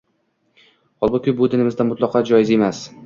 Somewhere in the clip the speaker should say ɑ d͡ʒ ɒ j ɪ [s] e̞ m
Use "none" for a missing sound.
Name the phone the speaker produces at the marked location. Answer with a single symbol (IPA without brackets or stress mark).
z